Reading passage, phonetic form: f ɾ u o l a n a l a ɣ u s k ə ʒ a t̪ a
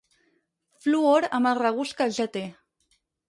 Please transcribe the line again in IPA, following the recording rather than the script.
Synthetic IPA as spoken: f l u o ɾ a m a r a ɣ u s k a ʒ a t̪ e